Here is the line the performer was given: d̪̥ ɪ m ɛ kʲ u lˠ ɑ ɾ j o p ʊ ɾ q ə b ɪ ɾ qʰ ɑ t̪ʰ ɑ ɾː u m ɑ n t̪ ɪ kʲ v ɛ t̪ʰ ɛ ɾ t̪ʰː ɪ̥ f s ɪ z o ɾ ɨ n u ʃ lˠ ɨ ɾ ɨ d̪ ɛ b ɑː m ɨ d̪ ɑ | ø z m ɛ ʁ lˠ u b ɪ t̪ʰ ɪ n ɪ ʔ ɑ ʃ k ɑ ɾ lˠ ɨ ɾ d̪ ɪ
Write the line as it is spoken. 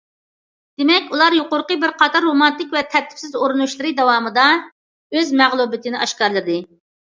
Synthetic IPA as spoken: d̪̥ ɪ m ɛ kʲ u lˠ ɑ ɾ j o q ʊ ɾ q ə b ɪ ɾ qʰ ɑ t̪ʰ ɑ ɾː o m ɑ n t̪ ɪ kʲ v ɛ t̪ʰ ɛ ɾ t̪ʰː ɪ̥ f s ɪ z o ɾ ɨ n u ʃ lˠ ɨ ɾ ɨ d̪ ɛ w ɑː m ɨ d̪ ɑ | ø z m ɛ ʁ lˠ u b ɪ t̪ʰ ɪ n ɪ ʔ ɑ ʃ k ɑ ɾ lˠ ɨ ɾ d̪ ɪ

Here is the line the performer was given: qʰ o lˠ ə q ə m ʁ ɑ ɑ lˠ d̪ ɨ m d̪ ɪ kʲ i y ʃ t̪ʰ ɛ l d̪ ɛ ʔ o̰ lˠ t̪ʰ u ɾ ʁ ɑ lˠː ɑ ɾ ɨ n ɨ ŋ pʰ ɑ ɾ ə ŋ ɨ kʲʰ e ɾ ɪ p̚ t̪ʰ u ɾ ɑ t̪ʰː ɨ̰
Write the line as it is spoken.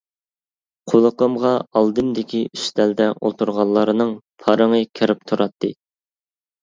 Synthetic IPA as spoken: qʰ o lˠ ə q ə m ʁ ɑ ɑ lˠ d̪ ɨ m d̪ ɪ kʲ i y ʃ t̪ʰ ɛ l d̪ ɛ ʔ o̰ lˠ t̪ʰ u ɾ ʁ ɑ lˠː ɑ ɾ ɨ n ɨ ŋ pʰ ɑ ɾ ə ŋ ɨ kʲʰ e ɾ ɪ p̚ t̪ʰ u ɾ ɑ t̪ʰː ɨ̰

